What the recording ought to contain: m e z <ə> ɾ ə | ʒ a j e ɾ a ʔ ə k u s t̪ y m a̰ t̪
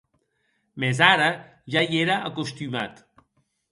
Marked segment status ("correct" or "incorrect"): incorrect